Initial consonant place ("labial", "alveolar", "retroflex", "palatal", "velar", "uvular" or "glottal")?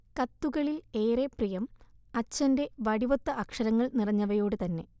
velar